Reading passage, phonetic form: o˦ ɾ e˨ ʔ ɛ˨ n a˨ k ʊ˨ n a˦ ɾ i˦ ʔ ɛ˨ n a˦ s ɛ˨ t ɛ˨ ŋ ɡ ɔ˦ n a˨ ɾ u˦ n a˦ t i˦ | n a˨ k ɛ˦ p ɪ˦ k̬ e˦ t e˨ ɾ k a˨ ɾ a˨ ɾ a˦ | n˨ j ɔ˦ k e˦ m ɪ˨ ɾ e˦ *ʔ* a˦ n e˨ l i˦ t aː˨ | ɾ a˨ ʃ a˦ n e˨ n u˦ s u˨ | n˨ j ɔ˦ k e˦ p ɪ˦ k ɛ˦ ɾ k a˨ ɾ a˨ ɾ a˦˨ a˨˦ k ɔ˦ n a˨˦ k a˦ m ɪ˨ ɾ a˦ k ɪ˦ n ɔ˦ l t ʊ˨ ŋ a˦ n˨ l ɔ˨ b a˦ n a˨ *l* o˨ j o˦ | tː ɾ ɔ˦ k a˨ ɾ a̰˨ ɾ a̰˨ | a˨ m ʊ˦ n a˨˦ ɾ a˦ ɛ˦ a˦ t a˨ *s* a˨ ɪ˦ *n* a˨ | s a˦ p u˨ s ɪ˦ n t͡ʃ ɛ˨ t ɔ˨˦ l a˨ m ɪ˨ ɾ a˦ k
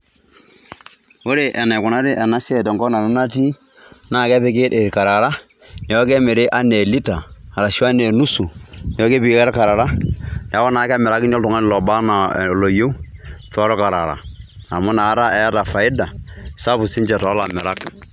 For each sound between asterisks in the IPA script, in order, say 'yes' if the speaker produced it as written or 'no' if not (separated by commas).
yes, yes, no, no